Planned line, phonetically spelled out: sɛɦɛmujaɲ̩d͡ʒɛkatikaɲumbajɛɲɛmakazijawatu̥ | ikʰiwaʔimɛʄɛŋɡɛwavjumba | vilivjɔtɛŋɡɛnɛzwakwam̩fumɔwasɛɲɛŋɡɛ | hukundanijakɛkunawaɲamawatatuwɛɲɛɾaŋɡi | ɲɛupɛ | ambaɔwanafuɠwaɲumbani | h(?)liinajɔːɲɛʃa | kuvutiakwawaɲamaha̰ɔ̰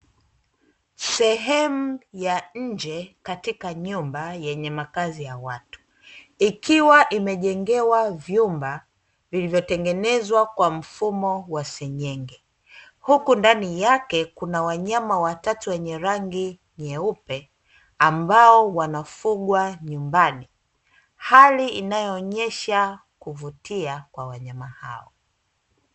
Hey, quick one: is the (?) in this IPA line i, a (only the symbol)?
a